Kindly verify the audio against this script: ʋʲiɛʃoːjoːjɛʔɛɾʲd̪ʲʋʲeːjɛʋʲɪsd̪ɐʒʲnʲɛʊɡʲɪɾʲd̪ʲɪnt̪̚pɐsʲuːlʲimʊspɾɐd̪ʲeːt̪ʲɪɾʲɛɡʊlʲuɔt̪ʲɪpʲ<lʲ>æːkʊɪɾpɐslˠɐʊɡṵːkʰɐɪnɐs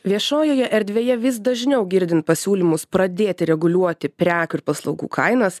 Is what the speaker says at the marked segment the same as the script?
no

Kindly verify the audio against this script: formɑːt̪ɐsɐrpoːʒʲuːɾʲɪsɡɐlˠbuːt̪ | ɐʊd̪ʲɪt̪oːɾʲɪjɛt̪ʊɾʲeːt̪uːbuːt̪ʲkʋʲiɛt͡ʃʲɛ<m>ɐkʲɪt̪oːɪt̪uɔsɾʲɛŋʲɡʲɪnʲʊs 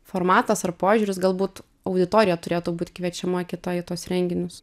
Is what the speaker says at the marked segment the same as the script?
yes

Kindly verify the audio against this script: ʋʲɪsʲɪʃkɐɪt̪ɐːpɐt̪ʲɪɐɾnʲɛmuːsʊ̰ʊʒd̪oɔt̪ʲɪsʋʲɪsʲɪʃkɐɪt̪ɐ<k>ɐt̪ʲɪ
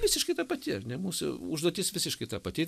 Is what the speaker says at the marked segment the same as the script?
no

